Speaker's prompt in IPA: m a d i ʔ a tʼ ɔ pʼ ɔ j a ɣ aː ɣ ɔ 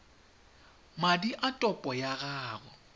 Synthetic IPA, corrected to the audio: m a d i ʔ a tʼ ɔ pʼ ɔ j a ɣ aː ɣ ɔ

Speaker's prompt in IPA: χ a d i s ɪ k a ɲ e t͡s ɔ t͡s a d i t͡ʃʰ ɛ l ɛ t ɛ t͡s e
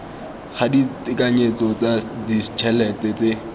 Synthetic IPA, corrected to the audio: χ a d i t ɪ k a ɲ e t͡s ɔ t͡s a d i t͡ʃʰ ɛ l ɛ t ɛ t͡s e

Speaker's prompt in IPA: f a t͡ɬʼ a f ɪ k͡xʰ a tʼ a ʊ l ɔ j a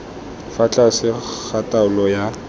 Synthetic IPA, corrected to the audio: f a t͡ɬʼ a s ɪ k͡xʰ a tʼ a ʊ l ɔ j a

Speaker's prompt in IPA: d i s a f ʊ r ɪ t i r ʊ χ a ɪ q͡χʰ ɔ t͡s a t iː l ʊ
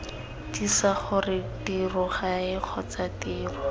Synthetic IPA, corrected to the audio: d i s a χ ʊ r ɪ t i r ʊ χ a ɪ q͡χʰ ɔ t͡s a t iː r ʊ

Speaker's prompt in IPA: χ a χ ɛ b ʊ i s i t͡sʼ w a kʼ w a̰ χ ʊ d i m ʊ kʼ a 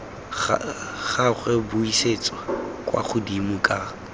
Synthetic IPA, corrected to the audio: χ a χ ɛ b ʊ i s e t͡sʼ w a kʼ w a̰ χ ʊ d i m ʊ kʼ a

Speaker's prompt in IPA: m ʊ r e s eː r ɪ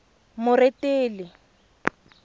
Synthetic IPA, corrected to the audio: m ʊ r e t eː l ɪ

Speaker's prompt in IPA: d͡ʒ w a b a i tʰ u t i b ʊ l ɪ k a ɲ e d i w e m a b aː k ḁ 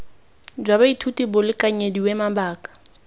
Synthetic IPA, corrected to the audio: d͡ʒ w a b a i tʰ u t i b ʊ l ɪ k a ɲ e d i w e m a b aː k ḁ

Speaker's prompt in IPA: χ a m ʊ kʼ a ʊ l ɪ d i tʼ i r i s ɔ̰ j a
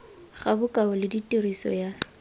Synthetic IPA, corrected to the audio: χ a b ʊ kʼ a ʊ l ɪ d i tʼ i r i s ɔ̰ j a

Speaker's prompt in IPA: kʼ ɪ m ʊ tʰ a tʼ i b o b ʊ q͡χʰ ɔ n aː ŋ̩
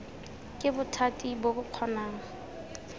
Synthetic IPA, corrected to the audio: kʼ ɪ b ʊ tʰ a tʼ i b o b ʊ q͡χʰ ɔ n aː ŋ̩

